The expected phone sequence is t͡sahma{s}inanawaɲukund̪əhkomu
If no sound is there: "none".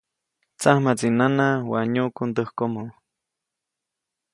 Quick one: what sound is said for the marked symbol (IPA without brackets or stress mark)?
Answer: t͡s